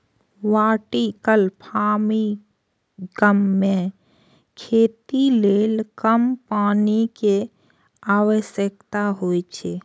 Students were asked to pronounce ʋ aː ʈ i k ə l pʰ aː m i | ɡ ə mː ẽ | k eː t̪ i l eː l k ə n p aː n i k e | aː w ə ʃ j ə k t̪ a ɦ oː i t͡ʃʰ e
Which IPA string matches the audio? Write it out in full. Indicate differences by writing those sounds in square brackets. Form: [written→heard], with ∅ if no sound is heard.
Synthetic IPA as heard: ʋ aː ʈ i k ə l pʰ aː m i | ɡ ə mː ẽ | [k→kʰ] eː t̪ i l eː l k ə [n→m] p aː n i k e | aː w ə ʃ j ə k t̪ a ɦ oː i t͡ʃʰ e